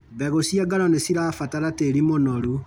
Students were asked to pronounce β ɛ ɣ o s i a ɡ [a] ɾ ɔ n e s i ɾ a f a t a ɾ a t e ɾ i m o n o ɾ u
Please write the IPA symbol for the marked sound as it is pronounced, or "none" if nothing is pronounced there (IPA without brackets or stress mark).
a